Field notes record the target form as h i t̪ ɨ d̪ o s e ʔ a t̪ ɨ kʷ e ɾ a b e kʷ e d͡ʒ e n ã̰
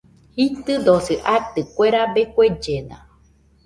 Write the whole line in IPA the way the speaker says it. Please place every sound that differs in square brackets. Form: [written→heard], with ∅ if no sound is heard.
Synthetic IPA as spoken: h i t̪ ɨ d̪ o s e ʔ a t̪ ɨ kʷ e ɾ a b e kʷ e d͡ʒ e n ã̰